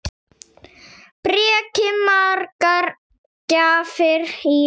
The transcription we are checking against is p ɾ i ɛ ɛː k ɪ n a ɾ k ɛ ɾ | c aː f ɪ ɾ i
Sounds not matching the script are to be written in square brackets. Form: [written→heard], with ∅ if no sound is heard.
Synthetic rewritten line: p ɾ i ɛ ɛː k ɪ [n→m] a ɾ k [ɛ→a] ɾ | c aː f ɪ ɾ i